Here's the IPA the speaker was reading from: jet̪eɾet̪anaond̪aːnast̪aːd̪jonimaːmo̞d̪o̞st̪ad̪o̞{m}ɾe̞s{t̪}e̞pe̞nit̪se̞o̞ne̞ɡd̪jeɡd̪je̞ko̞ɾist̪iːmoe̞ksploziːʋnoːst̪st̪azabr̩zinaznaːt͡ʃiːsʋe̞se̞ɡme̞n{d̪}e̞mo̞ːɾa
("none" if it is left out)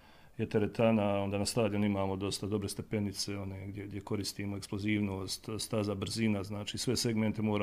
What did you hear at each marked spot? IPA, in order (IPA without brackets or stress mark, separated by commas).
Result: b, t̪, t̪